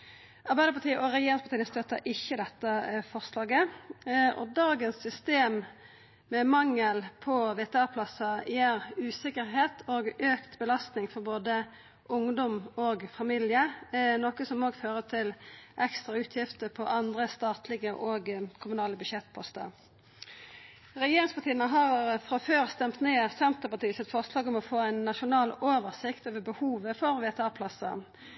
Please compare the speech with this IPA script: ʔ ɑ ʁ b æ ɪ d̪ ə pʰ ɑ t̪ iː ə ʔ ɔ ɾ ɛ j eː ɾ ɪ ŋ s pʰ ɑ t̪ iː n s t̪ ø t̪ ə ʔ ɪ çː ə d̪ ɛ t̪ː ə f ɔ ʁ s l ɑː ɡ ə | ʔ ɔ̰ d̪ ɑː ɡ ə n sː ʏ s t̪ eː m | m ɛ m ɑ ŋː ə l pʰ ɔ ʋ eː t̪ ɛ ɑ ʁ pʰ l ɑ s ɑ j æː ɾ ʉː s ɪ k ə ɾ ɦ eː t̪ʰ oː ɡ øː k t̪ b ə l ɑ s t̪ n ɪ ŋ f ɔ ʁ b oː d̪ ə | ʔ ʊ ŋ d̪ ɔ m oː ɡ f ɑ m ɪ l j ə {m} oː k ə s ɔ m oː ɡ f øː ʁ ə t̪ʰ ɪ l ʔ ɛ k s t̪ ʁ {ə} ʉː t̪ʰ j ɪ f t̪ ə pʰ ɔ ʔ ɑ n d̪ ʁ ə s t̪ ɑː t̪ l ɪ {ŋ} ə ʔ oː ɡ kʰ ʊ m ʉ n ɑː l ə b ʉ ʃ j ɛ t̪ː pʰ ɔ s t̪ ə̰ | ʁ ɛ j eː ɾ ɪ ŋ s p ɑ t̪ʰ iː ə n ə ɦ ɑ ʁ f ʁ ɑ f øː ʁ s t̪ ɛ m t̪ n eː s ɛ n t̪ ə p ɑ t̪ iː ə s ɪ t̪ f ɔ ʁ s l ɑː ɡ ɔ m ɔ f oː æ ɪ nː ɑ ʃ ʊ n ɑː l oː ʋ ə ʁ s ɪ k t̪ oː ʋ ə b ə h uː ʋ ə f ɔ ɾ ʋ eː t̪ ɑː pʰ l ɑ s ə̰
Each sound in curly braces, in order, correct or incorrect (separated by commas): incorrect, incorrect, incorrect